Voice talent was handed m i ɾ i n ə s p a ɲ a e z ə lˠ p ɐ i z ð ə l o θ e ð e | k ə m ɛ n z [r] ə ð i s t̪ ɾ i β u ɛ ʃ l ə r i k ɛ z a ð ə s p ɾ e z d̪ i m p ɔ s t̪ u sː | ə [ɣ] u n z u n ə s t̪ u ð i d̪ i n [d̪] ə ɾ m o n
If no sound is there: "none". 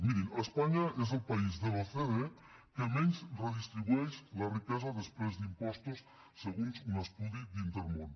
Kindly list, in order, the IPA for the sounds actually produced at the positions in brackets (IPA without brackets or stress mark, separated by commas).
r, ɣ, t̪